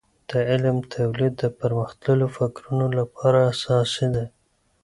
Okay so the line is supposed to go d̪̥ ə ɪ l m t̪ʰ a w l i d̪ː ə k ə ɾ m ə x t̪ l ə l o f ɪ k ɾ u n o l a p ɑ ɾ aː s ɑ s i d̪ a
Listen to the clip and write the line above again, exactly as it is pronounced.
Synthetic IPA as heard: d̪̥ ə ɪ l m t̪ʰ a w l i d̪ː ə p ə ɾ m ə x t̪ l ə l o f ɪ k ɾ u n o l a p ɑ ɾ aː s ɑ s i d̪ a